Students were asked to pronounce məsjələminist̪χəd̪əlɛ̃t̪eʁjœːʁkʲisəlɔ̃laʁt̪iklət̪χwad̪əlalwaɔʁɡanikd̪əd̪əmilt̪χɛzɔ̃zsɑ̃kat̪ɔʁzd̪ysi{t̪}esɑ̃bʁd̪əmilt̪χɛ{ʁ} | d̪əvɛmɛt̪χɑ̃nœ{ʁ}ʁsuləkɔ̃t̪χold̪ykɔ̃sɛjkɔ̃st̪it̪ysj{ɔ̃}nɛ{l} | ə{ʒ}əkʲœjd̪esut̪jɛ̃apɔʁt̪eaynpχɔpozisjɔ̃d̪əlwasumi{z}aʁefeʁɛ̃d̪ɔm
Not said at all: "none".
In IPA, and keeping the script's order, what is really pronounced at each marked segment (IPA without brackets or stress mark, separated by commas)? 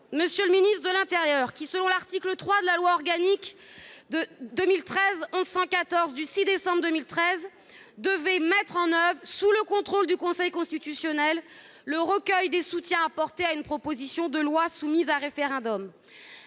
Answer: d̪, z, v, ɔ, lː, ʁ, z